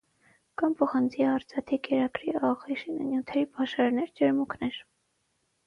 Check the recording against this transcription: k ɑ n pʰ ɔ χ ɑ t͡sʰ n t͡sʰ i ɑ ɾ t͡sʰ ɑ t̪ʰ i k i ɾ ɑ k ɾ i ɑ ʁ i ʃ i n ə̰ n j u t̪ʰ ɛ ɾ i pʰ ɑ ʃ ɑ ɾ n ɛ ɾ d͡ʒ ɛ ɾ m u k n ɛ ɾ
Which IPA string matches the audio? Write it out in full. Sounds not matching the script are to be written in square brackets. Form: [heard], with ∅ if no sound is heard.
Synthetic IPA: k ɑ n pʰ ɔ χ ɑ [∅] n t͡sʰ i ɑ ɾ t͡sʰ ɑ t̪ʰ i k [ɛ] ɾ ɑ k ɾ i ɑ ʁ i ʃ i n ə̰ n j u t̪ʰ ɛ ɾ i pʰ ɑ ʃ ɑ ɾ n ɛ ɾ d͡ʒ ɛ ɾ m u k n ɛ ɾ